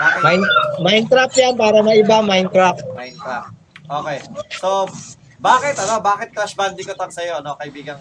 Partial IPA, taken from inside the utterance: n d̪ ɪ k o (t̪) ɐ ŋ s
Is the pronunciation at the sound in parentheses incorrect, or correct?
correct